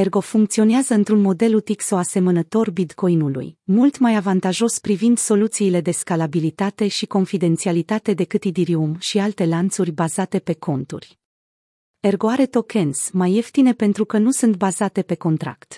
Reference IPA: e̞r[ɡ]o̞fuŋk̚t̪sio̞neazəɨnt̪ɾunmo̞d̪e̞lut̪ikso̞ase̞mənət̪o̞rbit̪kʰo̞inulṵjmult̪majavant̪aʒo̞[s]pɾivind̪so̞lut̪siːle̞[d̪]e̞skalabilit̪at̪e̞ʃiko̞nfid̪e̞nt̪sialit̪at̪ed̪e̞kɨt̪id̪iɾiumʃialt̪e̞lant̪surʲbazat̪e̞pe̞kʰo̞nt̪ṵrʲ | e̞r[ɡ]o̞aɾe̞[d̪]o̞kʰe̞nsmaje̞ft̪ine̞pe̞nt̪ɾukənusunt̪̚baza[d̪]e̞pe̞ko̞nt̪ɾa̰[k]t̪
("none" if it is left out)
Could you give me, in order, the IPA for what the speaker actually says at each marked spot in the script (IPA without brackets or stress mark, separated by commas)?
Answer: ɡ, s, d̪, ɡ, t̪, t̪, k